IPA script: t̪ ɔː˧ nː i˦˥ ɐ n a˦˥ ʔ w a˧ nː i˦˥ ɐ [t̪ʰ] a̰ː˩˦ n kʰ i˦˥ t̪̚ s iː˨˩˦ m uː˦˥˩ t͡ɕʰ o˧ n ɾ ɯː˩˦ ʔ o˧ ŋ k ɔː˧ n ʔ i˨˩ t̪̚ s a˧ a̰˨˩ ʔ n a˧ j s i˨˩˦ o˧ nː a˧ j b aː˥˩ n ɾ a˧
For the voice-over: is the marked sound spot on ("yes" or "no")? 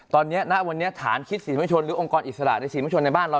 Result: yes